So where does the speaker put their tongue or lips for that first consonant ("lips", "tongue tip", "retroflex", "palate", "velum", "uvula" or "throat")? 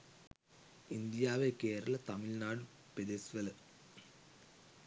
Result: tongue tip